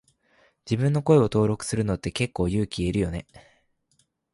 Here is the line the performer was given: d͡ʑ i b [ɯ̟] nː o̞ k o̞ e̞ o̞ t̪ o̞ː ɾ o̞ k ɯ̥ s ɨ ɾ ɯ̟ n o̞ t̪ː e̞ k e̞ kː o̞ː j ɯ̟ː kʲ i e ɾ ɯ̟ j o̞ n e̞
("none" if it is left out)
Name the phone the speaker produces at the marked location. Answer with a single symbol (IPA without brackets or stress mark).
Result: ɯ̟̃